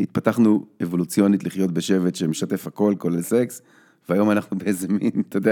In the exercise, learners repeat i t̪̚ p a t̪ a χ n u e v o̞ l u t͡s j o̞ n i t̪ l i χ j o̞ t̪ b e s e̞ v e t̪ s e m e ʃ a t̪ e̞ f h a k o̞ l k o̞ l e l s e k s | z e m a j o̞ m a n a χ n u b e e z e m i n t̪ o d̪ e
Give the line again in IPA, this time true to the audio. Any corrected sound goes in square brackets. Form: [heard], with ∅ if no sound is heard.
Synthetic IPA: i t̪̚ p a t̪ a χ n u e v o̞ l u t͡s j o̞ n i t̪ l i χ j o̞ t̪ b e [ʃ] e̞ v e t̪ [ʃ] e m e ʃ a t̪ e̞ f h a k o̞ l k o̞ l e l s e k s | [v] e [∅] a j o̞ m a n a χ n u b e e z e m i n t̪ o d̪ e